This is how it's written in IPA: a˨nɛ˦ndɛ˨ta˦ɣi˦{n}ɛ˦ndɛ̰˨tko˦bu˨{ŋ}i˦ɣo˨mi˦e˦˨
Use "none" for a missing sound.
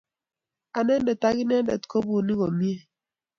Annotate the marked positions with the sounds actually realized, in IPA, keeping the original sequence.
n, n

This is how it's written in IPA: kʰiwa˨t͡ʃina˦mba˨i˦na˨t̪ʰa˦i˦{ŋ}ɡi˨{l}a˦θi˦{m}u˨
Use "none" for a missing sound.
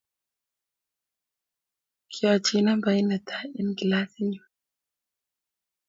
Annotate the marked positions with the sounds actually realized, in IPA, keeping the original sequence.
n, l, ɲ

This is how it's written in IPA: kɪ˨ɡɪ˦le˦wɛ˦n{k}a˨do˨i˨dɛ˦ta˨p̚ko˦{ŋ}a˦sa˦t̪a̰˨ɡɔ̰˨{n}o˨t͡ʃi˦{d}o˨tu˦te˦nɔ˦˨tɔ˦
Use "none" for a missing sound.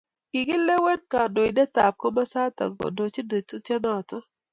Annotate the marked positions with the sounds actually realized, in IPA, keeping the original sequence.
k, m, d, d

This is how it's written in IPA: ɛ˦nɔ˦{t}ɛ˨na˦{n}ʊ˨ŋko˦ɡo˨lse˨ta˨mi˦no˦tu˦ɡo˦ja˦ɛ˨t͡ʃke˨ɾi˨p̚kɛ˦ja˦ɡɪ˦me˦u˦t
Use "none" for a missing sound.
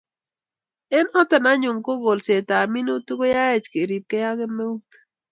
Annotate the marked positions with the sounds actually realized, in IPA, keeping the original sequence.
t, ɲ

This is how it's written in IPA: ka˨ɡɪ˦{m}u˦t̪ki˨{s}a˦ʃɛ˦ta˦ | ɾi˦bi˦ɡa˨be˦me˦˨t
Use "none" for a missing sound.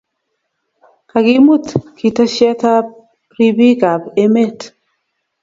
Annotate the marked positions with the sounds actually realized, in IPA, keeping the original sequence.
m, t

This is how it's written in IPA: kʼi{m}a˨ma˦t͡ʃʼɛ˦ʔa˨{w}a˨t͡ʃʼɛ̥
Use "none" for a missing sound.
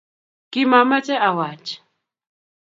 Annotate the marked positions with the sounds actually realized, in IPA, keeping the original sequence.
m, w

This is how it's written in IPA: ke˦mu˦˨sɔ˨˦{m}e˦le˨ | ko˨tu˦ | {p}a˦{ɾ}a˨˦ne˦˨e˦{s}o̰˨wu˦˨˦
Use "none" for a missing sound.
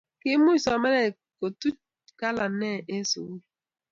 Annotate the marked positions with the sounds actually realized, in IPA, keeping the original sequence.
m, k, l, s

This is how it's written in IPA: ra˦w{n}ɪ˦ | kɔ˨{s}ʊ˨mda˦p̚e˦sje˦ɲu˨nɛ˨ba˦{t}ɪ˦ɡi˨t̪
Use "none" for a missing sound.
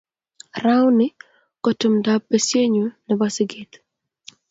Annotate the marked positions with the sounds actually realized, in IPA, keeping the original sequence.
n, t, s

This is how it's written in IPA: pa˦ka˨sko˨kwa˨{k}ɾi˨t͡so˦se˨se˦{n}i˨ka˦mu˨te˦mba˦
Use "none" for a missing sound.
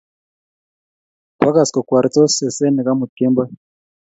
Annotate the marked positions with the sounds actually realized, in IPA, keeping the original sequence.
none, n

